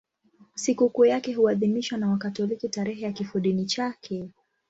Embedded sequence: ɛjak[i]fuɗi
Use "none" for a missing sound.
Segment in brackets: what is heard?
i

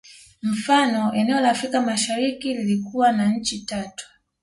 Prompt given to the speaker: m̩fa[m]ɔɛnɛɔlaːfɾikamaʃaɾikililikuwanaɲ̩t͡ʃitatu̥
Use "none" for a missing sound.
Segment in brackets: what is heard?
n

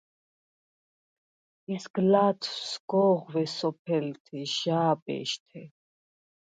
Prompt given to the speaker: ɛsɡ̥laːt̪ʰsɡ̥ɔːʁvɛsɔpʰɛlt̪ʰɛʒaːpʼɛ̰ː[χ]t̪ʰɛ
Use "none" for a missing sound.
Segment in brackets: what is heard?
ʃ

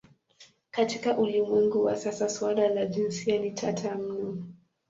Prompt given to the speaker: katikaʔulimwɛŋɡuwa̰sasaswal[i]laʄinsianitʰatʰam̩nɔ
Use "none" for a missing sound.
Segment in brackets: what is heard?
a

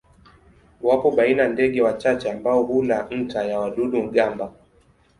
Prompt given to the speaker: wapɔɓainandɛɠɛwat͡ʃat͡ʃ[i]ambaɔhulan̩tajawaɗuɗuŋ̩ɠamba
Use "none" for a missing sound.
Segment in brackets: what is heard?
ɛ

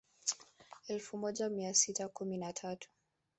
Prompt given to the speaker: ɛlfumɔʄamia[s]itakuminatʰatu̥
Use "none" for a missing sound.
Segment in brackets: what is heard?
s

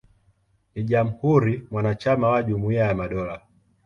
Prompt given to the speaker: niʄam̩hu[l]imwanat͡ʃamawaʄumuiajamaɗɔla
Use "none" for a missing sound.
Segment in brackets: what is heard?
ɾ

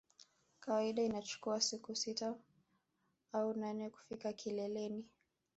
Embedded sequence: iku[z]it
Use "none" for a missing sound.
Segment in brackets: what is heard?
s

